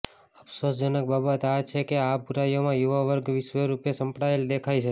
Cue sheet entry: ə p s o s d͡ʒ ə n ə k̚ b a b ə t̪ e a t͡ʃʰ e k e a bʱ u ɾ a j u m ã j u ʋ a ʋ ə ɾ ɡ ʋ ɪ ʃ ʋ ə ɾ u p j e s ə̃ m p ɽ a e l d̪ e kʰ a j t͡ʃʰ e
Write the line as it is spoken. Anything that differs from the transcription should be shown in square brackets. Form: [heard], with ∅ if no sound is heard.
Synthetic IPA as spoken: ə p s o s d͡ʒ ə n ə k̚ b a b ə t̪ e a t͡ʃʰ e k e a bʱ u ɾ a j [o] m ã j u ʋ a ʋ ə ɾ ɡ ʋ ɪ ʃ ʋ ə ɾ u p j e s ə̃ m p ɽ a e l d̪ e kʰ a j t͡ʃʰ e